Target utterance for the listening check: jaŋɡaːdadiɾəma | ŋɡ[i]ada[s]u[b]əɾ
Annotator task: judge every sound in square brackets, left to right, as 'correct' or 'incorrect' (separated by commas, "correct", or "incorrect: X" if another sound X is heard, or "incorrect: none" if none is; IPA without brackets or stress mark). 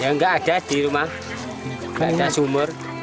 incorrect: a, correct, incorrect: m